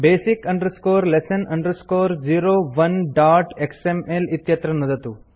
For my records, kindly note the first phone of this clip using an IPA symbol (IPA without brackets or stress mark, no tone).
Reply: b